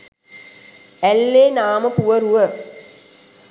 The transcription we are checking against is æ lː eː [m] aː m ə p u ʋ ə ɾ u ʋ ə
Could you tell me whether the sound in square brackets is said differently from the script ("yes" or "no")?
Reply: yes